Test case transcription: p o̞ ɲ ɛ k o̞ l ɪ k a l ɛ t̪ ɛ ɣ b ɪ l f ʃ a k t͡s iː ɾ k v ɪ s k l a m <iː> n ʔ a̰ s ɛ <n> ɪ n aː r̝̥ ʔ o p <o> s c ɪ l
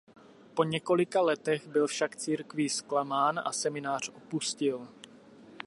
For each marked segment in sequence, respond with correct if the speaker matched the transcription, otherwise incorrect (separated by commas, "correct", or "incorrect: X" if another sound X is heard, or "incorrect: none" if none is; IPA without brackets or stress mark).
incorrect: aː, incorrect: m, incorrect: u